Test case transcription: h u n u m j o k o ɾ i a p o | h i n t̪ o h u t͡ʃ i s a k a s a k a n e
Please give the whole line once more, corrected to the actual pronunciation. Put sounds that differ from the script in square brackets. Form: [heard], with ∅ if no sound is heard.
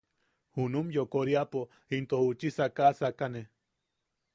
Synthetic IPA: h u n u m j o k o ɾ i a p o | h i n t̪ o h u t͡ʃ i s a k a s a k a n e

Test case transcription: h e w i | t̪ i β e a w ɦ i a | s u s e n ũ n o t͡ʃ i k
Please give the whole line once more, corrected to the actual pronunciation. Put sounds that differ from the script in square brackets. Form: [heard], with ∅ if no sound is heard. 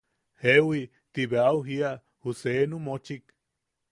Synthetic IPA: h e w i | t̪ i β e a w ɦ i a | [h] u s e n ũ [m] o t͡ʃ i k

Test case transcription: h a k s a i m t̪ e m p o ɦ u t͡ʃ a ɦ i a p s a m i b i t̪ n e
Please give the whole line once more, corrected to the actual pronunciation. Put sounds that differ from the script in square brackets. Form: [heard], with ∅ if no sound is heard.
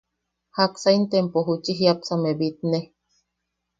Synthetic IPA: h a k s a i [n] t̪ e m p o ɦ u t͡ʃ [i] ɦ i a p s a m [e] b i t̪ n e

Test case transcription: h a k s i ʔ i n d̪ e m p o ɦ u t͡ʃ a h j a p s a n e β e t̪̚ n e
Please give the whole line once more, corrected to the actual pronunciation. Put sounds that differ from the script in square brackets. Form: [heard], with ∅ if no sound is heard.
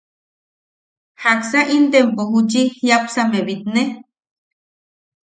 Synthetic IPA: h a k s [a] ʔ i n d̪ e m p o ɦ u t͡ʃ [i] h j a p s a [m] e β [i] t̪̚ n e

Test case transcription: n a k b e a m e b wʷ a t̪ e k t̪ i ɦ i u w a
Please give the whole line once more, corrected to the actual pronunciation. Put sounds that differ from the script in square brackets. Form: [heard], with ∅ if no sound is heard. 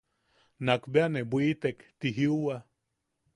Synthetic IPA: n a k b e a [n] e b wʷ [i] t̪ e k t̪ i ɦ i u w a

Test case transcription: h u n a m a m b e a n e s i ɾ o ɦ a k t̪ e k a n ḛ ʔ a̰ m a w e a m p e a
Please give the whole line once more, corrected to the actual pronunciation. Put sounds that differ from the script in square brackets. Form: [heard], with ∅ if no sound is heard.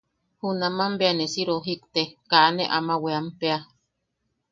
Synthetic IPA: h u n a m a m b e a n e s i ɾ o ɦ [i] k t̪ e k a n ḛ ʔ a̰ m a w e a m p e a

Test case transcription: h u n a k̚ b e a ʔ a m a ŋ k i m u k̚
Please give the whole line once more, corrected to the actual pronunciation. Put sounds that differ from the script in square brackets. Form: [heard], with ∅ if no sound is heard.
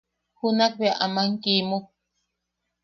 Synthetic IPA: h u n a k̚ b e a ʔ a m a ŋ k i m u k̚

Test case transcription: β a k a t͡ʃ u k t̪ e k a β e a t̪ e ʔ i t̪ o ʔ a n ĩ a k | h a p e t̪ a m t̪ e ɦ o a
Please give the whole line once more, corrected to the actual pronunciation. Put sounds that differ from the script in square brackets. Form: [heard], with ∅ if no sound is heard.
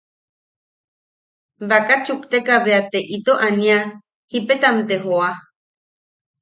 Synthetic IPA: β a k a t͡ʃ u k t̪ e k a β e a t̪ e ʔ i t̪ o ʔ a n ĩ a [∅] | h [i] p e t̪ a m t̪ e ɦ o a

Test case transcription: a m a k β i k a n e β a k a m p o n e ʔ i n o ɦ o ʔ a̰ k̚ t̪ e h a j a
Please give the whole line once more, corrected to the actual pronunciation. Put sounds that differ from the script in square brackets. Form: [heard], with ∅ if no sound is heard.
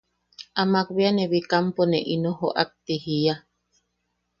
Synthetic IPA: a m a k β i [∅] a n e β [i] k a m p o n e ʔ i n o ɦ o ʔ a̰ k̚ t̪ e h [i] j a

